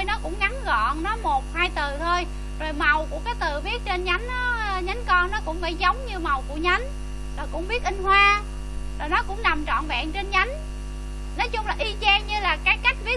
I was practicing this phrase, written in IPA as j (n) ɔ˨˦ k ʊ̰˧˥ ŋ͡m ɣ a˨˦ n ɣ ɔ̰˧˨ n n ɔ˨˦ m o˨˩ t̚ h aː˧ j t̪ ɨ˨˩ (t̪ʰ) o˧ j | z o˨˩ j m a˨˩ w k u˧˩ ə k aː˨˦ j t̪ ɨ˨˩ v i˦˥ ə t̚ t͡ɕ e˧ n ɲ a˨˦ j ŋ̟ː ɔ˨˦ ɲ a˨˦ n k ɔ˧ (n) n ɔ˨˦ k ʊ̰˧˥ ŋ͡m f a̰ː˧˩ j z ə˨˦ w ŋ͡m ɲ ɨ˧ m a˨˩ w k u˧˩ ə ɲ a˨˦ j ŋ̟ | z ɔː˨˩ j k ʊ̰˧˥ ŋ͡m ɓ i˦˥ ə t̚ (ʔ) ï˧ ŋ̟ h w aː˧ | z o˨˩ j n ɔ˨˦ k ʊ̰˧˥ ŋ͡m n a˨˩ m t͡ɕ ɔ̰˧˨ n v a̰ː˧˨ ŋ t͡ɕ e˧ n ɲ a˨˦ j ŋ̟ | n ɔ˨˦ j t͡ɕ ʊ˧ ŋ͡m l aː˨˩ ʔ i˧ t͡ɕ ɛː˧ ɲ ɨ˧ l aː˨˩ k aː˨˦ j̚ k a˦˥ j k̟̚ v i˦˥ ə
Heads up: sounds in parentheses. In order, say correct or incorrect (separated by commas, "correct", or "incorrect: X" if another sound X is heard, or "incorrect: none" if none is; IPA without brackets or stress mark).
correct, correct, correct, correct